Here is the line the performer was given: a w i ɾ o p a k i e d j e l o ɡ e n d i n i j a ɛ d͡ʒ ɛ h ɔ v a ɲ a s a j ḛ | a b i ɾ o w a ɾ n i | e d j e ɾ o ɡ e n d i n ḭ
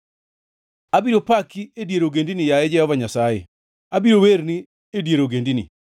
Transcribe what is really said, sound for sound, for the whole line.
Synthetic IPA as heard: a b i ɾ o p a k i e d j e ɾ o ɡ e n d i n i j a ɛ d͡ʒ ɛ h ɔ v a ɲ a s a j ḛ | a b i ɾ o w e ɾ n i | e d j e ɾ o ɡ e n d i n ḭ